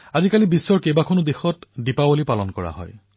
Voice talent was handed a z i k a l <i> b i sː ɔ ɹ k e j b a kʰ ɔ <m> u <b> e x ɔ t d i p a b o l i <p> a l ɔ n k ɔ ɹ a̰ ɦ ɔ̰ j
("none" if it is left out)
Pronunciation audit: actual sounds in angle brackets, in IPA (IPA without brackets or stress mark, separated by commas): i, n, d, p